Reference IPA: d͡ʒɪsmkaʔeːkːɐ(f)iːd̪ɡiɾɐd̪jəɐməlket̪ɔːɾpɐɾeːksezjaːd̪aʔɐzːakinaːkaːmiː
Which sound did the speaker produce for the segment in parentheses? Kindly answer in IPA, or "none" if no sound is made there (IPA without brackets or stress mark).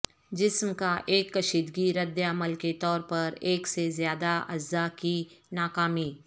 ʃ